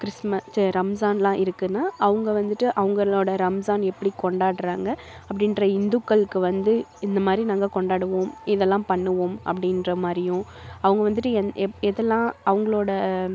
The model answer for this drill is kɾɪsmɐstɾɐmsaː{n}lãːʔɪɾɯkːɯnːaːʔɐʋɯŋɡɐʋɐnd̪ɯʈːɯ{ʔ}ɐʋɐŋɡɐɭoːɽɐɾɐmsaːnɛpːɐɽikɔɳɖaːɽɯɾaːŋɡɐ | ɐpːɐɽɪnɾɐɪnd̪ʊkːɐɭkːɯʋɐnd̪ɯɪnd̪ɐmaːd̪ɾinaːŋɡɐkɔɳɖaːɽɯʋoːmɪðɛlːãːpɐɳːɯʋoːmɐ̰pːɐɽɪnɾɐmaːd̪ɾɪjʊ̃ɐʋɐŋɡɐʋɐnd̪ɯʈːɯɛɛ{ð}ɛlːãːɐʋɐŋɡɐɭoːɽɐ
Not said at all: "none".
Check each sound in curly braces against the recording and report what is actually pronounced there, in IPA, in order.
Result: n, ʔ, ð

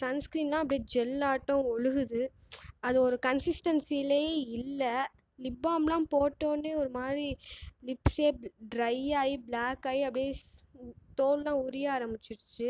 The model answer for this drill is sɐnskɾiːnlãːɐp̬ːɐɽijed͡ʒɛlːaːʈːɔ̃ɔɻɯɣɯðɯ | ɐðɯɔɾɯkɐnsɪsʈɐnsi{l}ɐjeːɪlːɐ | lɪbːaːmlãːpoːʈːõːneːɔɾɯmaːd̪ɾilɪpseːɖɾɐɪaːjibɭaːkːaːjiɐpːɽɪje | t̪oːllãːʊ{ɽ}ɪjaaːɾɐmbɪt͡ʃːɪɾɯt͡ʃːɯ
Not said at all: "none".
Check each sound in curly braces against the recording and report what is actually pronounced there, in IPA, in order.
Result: l, ɾ

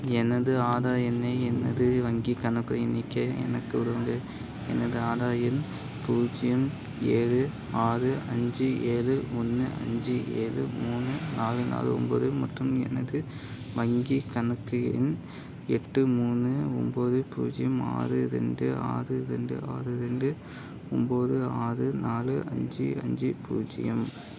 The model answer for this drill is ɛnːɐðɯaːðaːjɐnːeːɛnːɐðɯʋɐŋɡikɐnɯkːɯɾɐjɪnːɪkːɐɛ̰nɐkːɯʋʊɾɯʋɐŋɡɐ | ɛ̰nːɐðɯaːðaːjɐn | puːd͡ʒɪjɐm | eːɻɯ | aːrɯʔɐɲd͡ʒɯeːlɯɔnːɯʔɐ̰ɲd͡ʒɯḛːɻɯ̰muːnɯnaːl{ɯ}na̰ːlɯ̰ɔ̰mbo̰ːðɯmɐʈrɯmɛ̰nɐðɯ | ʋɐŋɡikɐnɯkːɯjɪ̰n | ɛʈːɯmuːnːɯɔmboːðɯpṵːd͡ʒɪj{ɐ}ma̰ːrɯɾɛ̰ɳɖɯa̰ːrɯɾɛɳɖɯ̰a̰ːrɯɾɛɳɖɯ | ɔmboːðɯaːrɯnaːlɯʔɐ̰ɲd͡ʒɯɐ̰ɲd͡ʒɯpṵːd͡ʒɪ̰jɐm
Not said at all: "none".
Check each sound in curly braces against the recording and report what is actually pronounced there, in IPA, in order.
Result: ɯ, ɐ

